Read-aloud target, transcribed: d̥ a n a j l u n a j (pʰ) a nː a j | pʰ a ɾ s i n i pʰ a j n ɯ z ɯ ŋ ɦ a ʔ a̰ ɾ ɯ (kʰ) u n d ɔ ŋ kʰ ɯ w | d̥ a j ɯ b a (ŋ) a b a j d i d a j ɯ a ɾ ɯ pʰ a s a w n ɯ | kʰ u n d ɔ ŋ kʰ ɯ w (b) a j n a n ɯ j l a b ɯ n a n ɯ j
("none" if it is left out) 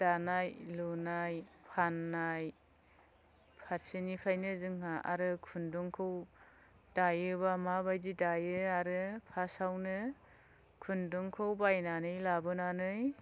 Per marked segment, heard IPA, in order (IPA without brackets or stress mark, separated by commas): pʰ, kʰ, m, b